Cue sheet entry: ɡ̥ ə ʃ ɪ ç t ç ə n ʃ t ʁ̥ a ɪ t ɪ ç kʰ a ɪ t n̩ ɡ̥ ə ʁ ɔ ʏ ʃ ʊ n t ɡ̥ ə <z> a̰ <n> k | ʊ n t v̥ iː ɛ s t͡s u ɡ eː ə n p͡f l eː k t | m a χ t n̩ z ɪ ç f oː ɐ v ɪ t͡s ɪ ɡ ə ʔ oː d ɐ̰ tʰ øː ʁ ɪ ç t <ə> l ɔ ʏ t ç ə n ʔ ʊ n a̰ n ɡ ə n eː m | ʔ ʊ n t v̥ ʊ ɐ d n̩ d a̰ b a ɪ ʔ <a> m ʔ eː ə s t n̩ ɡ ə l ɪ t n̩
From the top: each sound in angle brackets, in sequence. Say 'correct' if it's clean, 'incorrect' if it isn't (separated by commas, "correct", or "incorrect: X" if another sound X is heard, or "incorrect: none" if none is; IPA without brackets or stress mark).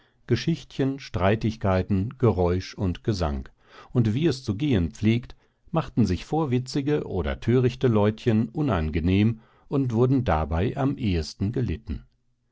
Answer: correct, incorrect: ŋ, correct, correct